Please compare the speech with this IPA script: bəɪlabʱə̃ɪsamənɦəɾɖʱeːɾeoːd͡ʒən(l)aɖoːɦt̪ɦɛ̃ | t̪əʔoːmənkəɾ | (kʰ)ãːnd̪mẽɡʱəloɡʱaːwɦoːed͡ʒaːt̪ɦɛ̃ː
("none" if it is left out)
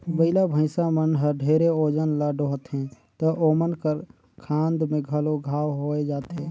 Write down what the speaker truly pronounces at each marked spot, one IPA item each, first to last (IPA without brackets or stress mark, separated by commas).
l, kʰ